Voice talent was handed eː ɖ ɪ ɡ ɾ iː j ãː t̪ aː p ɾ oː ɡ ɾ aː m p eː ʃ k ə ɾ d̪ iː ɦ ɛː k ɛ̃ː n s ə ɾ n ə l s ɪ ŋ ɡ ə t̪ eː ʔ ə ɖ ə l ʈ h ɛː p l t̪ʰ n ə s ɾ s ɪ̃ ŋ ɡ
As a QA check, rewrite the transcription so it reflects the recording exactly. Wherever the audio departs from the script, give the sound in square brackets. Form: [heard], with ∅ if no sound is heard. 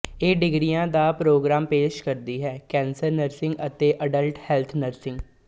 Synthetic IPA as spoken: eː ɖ ɪ ɡ ɾ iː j ãː [d̪] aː p ɾ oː ɡ ɾ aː m p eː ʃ k ə ɾ d̪ iː ɦ ɛː k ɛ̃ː n s ə ɾ n ə [ɾ] s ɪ ŋ ɡ ə t̪ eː ʔ ə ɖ ə l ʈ h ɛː [∅] l t̪ʰ n ə [∅] ɾ s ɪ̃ ŋ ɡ